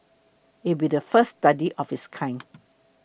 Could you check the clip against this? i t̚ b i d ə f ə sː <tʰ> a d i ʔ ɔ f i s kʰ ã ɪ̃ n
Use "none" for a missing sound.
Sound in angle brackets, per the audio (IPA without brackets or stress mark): t